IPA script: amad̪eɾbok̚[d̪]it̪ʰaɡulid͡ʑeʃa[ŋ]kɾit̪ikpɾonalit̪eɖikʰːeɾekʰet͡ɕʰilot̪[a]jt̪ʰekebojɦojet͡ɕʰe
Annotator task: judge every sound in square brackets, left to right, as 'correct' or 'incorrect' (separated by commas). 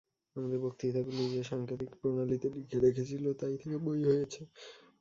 incorrect, correct, correct